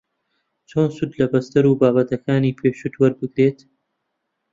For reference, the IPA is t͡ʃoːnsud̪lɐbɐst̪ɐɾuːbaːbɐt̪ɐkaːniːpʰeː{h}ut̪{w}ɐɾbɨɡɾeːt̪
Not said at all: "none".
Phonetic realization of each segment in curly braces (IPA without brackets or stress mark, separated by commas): ʃ, w